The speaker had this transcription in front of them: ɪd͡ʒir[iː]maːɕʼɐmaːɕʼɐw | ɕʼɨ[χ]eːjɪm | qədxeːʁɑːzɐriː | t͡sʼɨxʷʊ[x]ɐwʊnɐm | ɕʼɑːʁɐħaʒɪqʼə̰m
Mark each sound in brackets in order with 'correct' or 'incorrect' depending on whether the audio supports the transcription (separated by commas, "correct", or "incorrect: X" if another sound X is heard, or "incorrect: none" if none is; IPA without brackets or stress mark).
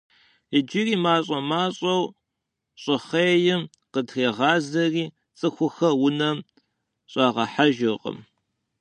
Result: correct, correct, correct